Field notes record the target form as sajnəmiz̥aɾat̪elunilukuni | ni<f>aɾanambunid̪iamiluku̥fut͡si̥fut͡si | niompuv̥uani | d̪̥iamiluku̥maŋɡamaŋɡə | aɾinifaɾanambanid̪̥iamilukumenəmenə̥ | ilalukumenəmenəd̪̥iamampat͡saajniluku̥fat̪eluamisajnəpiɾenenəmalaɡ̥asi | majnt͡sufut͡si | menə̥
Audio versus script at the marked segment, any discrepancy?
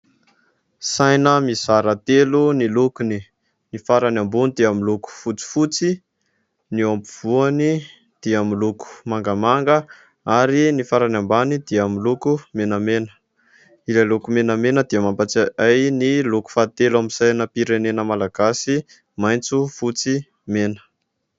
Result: no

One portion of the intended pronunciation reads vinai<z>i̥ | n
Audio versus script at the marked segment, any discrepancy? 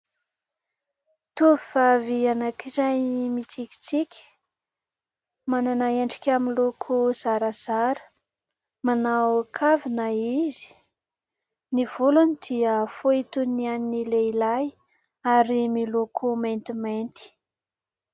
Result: no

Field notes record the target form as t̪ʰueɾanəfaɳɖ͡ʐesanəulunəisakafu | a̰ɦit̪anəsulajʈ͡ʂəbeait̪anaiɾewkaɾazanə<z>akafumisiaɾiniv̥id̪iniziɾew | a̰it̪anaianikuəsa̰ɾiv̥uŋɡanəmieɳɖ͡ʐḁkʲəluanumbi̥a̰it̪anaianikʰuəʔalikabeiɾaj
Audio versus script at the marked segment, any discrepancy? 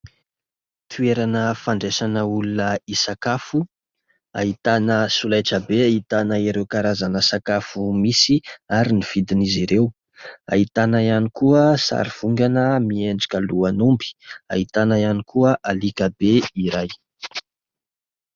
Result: yes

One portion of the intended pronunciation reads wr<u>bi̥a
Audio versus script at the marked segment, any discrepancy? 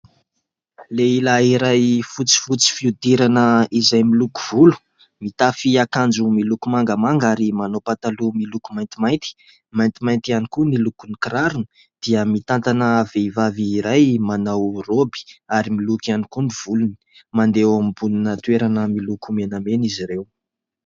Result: yes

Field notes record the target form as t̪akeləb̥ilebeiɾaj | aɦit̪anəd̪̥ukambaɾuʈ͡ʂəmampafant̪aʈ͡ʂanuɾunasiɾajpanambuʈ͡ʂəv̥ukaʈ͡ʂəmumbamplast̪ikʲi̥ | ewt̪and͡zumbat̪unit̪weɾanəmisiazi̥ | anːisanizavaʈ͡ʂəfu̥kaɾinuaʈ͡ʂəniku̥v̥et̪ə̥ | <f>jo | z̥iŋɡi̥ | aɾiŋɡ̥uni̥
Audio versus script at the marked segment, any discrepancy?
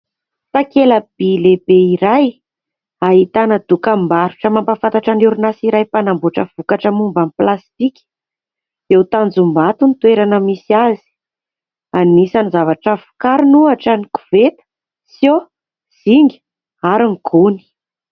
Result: yes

